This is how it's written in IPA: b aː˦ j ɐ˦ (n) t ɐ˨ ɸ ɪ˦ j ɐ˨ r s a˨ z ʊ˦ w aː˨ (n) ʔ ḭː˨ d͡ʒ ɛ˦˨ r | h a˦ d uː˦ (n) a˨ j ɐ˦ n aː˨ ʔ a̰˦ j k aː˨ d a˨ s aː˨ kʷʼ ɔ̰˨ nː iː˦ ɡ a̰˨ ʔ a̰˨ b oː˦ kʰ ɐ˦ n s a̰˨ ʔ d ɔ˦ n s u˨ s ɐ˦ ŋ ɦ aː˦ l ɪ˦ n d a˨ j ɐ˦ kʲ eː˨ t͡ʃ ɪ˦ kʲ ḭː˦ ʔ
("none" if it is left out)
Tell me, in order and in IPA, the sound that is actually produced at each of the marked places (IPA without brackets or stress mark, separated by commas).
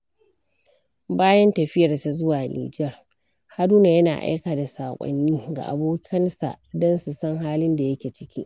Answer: n, n, n